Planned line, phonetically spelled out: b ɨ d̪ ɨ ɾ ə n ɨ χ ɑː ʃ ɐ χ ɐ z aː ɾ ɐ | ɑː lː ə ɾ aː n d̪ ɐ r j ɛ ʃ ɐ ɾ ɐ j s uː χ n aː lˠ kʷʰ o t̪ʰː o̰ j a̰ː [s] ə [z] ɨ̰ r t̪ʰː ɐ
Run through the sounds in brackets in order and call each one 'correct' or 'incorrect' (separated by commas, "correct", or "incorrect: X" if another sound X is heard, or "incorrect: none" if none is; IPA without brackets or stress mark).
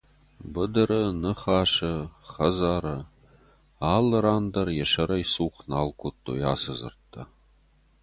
correct, correct